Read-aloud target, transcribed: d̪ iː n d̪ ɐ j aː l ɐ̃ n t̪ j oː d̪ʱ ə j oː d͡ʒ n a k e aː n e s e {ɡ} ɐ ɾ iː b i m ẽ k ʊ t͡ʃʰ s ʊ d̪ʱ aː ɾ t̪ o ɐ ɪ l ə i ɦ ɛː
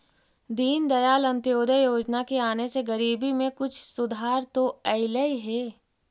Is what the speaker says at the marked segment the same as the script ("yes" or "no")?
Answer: yes